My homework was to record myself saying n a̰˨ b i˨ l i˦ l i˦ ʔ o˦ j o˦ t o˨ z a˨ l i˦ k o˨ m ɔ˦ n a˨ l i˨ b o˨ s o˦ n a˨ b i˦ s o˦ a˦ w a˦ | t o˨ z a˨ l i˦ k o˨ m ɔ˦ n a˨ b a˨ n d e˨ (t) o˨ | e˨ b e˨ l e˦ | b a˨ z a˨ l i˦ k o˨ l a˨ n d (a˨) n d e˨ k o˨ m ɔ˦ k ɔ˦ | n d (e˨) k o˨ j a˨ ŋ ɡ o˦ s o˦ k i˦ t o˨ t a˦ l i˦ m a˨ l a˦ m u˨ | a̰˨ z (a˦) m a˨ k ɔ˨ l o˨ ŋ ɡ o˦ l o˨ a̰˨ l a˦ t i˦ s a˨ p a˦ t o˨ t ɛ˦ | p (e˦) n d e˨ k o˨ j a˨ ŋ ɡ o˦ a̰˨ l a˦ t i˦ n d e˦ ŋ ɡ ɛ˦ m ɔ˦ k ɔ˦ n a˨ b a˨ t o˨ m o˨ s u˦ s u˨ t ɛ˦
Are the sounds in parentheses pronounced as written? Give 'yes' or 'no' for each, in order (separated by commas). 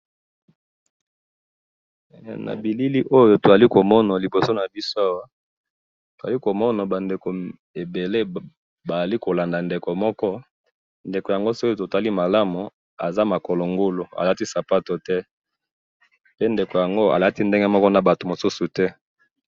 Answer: no, yes, yes, yes, yes